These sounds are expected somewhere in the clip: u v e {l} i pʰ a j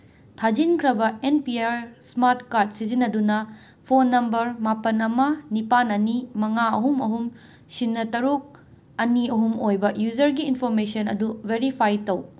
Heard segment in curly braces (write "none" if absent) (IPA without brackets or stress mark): ɾ